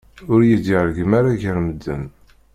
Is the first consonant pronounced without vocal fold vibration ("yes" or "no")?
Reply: no